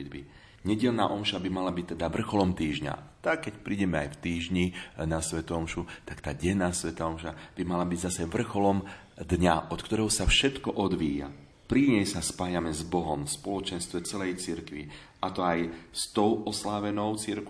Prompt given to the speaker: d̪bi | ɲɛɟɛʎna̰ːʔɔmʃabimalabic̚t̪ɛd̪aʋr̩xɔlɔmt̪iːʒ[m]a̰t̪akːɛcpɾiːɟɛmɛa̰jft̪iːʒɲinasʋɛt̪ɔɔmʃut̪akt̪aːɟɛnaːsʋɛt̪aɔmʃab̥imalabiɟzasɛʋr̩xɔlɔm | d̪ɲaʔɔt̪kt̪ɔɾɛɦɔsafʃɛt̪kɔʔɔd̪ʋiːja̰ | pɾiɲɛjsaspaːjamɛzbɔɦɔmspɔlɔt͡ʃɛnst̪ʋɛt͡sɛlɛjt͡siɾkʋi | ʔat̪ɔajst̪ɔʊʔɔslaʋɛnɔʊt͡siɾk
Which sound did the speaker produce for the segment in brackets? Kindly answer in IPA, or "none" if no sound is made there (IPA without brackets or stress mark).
ɲ